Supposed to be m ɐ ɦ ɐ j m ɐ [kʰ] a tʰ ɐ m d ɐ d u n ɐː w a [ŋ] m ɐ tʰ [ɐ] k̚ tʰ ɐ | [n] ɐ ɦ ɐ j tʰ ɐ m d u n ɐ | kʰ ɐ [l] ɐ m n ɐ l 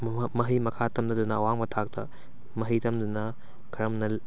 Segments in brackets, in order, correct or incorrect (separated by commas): correct, correct, incorrect, incorrect, incorrect